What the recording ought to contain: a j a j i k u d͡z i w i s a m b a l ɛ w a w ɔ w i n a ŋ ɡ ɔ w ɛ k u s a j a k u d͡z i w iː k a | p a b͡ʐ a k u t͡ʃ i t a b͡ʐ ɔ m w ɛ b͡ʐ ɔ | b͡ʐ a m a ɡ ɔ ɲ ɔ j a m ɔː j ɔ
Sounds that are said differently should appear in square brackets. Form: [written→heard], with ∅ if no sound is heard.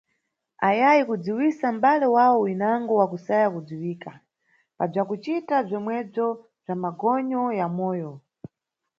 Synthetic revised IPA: a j a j i k u d͡z i w i s a m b a l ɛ w a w ɔ w i n a ŋ ɡ ɔ w [ɛ→a] k u s a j a k u d͡z i w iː k a | p a b͡ʐ a k u t͡ʃ i t a b͡ʐ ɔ m w ɛ b͡ʐ ɔ | b͡ʐ a m a ɡ ɔ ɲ ɔ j a m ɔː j ɔ